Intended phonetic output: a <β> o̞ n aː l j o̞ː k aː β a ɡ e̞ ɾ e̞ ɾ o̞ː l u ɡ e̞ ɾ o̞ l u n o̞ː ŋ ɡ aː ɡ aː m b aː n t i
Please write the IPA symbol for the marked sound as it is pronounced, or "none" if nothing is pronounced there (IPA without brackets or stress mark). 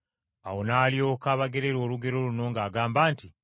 w